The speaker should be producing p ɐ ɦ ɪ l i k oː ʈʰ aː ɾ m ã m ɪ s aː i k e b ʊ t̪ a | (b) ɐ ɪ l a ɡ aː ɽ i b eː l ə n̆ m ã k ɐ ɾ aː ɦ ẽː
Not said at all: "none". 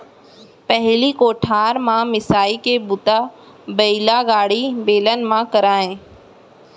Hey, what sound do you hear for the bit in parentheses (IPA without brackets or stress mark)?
b